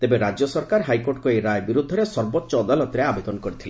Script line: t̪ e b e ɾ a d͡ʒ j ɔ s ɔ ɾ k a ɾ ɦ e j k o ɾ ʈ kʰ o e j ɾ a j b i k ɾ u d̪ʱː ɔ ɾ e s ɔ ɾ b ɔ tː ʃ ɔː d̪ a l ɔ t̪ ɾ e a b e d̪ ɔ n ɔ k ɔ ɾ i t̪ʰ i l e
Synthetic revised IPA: t̪ e b e ɾ a d͡ʒ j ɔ s ɔ ɾ k a ɾ ɦ a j k o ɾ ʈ k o e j ɾ a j b i ɾ u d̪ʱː ɔ ɾ e s ɔ ɾ b ɔ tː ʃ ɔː d̪ a l ɔ t̪ ɾ e a b e d̪ ɔ n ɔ k ɔ ɾ i t̪ʰ i l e